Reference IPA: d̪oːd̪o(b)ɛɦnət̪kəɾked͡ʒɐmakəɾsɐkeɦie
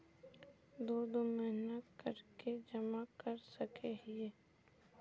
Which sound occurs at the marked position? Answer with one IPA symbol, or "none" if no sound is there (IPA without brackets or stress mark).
m